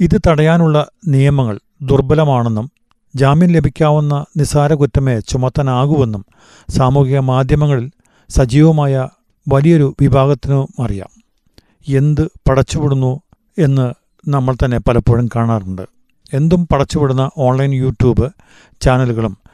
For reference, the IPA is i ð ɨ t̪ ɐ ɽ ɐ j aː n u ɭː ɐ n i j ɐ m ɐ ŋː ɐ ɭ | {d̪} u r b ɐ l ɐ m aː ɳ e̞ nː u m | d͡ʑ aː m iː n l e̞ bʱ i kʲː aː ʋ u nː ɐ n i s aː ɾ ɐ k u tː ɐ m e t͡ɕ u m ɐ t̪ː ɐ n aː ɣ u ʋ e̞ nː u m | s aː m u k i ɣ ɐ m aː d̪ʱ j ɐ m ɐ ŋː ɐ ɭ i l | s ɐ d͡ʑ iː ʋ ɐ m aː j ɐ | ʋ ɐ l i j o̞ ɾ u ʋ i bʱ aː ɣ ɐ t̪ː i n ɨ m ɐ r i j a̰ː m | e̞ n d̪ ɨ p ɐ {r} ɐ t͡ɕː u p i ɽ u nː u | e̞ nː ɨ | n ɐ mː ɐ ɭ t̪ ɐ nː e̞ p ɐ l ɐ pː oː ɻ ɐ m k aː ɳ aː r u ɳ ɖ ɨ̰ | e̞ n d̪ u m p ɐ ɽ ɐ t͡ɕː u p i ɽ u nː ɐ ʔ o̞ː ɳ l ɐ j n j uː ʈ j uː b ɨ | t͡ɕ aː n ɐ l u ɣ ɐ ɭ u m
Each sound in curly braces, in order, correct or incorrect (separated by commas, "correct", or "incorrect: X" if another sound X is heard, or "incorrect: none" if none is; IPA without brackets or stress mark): correct, incorrect: ɽ